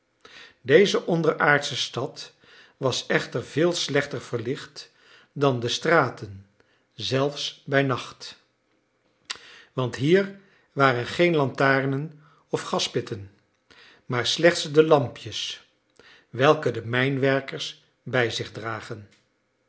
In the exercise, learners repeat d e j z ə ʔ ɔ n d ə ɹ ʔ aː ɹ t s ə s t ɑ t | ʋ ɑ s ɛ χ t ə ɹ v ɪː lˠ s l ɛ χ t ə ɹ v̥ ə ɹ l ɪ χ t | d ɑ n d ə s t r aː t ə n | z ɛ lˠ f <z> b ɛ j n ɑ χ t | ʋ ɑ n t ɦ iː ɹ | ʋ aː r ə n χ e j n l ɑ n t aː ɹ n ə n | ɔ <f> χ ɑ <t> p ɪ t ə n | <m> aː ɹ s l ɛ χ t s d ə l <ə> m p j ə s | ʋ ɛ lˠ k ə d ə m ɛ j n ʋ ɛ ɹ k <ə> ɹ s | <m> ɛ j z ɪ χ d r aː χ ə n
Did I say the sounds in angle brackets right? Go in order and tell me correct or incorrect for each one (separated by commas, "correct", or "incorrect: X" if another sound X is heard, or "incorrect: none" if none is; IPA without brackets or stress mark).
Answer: incorrect: s, correct, incorrect: s, correct, incorrect: ɑ, correct, incorrect: b